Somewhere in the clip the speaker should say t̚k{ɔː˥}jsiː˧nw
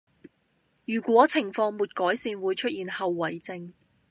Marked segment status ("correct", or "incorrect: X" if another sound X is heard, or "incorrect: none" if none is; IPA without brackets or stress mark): incorrect: ɔː˨˥